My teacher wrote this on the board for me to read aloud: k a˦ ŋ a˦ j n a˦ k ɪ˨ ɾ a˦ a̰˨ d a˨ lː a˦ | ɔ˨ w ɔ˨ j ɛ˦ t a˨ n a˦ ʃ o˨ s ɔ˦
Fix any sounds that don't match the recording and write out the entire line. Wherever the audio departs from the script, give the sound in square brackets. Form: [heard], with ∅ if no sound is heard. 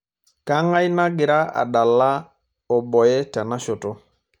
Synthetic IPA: k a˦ ŋ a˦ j n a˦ [ɡ] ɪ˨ ɾ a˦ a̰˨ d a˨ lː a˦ | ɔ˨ [b] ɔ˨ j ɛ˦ t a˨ n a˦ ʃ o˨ [t] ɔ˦